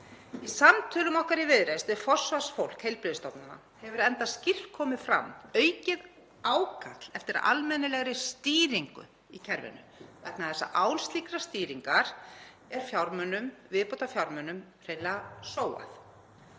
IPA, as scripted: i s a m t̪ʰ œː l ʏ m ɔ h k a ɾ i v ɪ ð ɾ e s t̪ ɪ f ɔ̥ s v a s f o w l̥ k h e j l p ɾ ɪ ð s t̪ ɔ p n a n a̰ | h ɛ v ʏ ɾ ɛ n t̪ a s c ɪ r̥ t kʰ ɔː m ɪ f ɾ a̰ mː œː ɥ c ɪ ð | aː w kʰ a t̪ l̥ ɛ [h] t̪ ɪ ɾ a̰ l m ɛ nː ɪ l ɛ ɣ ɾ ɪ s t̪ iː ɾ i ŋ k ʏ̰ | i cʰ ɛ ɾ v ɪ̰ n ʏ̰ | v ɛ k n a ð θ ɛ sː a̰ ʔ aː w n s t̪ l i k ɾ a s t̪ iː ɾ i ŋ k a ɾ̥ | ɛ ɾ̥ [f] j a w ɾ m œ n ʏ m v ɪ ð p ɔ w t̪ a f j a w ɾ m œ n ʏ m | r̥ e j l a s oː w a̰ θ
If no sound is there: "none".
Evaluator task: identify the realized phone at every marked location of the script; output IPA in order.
f, f

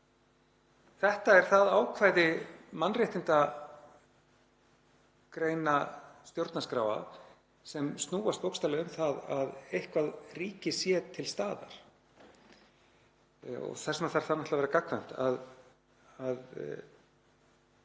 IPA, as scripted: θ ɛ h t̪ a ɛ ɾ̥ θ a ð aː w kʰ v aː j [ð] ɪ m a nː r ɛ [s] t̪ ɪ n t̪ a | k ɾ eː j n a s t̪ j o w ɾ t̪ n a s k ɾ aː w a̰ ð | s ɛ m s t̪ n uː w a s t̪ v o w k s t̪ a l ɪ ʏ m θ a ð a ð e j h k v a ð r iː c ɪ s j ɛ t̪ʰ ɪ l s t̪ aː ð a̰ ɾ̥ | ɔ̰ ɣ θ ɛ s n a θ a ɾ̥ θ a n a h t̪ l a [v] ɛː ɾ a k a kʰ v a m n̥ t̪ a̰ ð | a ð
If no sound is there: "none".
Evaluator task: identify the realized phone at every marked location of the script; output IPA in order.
ð, h, v

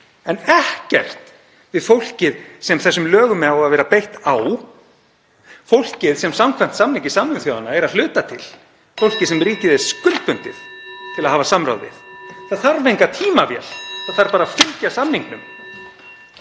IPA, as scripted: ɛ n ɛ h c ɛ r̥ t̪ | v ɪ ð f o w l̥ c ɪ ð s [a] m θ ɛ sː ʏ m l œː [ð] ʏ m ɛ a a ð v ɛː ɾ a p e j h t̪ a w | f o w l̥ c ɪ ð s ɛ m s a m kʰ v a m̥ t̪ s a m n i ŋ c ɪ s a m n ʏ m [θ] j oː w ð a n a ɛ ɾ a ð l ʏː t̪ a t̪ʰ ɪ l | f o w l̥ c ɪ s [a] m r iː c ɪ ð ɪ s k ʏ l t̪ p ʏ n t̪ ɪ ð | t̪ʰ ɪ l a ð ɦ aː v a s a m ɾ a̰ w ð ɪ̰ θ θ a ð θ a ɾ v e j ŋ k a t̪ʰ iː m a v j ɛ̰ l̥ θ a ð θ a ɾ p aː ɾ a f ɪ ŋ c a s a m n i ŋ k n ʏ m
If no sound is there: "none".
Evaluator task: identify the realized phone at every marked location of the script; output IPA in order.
ɛ, ɣ, θ, ɛ

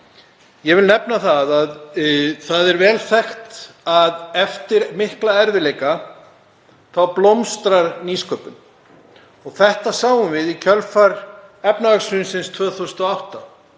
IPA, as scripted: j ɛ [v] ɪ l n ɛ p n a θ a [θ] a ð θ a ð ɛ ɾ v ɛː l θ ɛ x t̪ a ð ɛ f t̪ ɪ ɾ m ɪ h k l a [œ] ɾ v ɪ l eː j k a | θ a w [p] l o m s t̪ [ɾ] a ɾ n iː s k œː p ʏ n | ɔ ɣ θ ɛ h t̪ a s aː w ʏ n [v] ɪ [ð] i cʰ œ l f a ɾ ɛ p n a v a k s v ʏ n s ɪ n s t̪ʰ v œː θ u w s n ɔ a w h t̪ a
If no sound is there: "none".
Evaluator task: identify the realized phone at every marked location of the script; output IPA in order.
v, ð, ɛ, p, ɾ, v, ð

